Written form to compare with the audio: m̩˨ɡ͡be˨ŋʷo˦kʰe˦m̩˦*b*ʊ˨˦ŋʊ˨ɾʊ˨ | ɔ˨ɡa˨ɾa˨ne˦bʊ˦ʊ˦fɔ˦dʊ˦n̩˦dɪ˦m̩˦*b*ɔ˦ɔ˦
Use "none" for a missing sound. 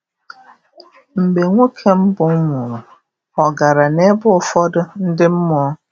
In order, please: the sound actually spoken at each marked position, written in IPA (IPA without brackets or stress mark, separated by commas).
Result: b, m